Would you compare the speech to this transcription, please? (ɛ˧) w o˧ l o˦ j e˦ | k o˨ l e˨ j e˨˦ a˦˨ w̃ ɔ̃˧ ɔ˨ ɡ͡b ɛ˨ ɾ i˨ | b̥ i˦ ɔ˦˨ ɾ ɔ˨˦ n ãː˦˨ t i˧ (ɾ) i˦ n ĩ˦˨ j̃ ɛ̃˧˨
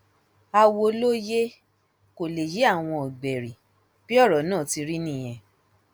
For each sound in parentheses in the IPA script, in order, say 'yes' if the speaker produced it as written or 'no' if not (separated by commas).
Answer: no, yes